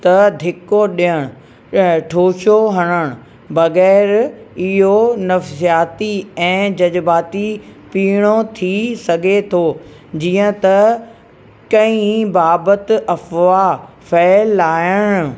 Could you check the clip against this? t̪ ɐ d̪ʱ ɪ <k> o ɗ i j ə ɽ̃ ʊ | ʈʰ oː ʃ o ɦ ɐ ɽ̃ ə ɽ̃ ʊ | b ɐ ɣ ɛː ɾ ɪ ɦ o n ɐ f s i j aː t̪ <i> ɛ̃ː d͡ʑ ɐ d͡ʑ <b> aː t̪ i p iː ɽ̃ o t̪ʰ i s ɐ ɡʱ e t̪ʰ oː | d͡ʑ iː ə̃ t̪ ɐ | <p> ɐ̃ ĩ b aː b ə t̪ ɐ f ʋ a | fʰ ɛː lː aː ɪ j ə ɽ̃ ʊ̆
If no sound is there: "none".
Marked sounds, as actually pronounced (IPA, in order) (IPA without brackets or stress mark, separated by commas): k, i, b, k